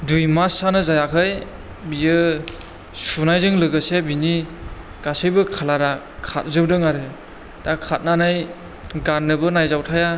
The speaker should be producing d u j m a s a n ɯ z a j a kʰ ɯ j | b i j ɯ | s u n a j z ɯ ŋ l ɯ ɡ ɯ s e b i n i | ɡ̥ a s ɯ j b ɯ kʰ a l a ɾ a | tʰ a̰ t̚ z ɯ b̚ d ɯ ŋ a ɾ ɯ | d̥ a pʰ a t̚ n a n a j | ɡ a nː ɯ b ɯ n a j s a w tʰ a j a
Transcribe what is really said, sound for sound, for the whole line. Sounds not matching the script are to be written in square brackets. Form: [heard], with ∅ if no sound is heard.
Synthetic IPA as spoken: d u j m a s a n ɯ z a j a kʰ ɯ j | b i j ɯ | s u n a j z ɯ ŋ l ɯ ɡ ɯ s e b i n i | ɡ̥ a s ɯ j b ɯ kʰ a l a ɾ a | [kʰ] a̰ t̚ z ɯ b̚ d ɯ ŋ a ɾ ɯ | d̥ a [kʰ] a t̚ n a n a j | ɡ a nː ɯ b ɯ n a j [z] a w tʰ a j a